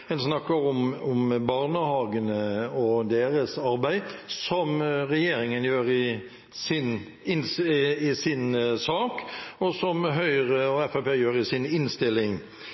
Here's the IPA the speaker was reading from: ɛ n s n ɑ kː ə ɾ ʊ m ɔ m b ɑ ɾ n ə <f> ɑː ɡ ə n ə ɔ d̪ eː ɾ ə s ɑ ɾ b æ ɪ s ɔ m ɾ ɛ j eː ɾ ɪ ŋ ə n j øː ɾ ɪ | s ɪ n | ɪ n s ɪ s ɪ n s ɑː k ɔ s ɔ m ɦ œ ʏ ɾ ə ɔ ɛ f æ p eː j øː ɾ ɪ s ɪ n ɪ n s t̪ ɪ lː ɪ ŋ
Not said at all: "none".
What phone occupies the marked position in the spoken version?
h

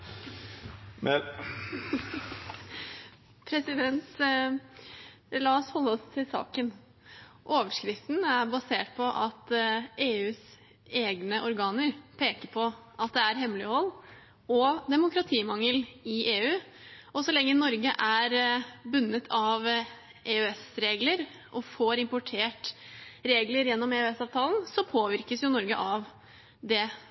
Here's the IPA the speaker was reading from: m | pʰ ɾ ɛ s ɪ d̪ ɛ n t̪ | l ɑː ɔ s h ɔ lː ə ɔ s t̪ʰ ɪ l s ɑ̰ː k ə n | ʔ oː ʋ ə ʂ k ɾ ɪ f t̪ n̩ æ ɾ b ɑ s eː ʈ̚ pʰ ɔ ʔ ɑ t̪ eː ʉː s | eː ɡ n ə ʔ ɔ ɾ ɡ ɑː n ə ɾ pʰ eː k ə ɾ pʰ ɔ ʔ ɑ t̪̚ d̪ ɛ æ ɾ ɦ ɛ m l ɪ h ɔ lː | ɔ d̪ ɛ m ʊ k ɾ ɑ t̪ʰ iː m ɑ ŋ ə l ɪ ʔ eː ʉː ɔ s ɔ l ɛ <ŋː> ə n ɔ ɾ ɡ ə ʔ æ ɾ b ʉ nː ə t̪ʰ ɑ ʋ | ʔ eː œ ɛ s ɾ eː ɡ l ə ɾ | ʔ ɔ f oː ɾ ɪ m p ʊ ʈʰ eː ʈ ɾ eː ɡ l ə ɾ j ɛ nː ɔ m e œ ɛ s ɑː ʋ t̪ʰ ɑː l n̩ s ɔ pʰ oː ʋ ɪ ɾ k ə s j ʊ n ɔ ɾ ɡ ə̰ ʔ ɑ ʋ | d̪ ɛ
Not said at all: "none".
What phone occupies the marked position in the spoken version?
ŋː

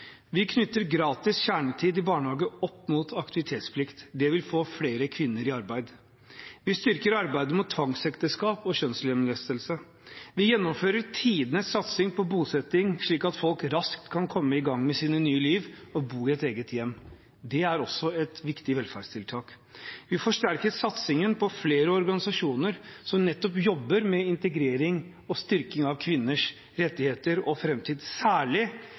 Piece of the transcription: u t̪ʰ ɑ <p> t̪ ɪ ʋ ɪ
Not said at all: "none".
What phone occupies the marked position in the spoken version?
k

